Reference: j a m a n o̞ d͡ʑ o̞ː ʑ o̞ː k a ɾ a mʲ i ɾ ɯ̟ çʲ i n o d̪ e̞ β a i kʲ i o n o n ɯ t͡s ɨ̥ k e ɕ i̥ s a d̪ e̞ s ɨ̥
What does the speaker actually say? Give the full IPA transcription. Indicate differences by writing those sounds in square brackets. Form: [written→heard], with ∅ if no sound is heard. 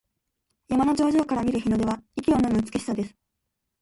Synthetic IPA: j a m a n o̞ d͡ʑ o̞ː ʑ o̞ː k a ɾ a mʲ i ɾ ɯ̟ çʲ i n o d̪ e̞ β a i kʲ i o n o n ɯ t͡s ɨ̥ k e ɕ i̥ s a d̪ e̞ s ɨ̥